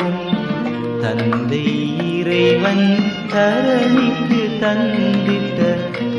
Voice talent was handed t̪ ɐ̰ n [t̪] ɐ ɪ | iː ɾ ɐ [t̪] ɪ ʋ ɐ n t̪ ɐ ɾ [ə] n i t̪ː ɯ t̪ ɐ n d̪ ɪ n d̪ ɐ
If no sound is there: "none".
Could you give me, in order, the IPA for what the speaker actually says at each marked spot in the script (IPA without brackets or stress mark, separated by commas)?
d̪, none, ɐ